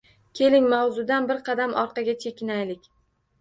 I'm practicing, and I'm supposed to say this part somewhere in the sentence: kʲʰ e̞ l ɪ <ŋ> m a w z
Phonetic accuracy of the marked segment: correct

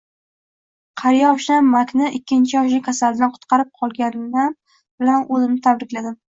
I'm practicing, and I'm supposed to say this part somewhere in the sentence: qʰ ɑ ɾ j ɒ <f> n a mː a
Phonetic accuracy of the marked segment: incorrect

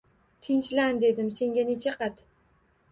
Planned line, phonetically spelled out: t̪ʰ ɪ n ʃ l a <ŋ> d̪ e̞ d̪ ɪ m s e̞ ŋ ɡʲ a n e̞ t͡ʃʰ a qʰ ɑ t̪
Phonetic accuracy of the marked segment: incorrect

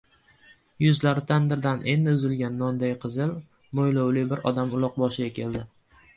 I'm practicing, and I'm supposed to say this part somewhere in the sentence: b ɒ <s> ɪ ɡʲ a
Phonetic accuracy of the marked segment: incorrect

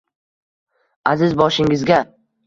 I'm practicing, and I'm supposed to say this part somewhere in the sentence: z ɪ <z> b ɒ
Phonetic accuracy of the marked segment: correct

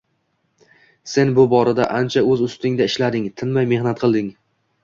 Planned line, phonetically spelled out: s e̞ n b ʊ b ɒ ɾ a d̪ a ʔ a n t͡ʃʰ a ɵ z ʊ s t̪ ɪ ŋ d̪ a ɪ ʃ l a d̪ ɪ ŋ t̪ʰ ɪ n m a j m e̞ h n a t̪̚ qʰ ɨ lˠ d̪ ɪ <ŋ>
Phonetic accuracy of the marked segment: correct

